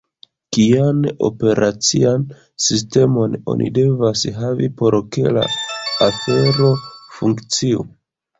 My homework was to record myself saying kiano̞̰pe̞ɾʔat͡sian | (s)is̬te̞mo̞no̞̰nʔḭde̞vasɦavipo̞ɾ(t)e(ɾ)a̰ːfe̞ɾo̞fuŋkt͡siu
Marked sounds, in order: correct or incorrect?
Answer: correct, incorrect: k, incorrect: l

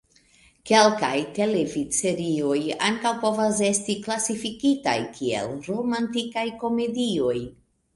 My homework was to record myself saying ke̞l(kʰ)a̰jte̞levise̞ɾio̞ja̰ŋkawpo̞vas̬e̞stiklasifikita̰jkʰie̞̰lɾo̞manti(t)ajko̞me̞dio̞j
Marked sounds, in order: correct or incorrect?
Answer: incorrect: k, incorrect: k

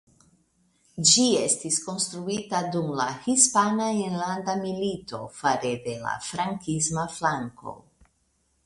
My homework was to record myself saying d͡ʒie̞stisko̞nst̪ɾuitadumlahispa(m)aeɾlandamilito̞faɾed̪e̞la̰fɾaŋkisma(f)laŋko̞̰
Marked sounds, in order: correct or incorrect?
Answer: incorrect: n, correct

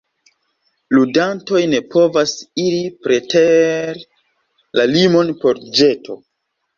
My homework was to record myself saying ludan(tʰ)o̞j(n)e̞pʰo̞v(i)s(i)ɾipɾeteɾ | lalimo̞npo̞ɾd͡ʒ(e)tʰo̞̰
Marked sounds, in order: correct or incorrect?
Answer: incorrect: t, correct, incorrect: a, correct, correct

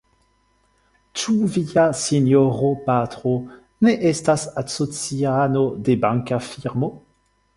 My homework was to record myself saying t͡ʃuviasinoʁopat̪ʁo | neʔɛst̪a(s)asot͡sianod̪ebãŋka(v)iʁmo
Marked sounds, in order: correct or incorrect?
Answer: correct, incorrect: f

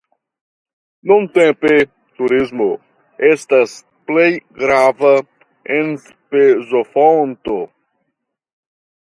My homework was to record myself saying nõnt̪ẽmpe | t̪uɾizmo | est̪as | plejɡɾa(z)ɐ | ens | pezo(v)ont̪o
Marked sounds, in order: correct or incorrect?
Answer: incorrect: v, incorrect: f

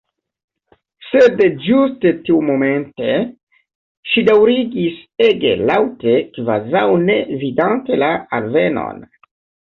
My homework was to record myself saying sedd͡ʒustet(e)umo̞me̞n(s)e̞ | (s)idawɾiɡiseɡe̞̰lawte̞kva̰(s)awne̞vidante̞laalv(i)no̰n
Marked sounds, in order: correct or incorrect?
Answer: incorrect: i, incorrect: t, incorrect: ʃ, incorrect: z, incorrect: e

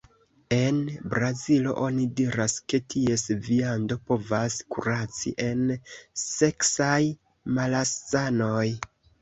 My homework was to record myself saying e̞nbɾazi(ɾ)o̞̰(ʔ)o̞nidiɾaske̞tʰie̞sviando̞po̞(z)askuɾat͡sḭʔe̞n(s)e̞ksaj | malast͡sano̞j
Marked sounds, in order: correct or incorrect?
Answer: incorrect: l, correct, incorrect: v, correct

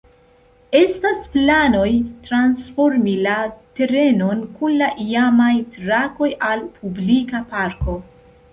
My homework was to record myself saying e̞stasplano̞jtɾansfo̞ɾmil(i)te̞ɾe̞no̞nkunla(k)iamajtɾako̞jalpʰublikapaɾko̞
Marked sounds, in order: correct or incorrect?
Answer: incorrect: a, incorrect: ʔ

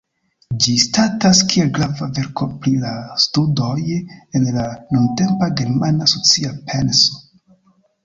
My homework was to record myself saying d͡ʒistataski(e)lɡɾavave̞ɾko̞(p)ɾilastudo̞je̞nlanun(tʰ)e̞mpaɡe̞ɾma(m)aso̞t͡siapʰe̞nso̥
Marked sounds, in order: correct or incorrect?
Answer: correct, correct, incorrect: t, incorrect: n

